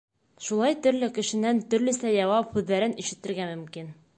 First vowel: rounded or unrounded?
rounded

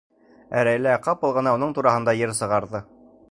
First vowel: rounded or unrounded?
unrounded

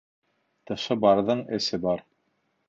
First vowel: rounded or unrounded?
unrounded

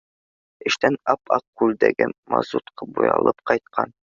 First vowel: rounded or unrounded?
unrounded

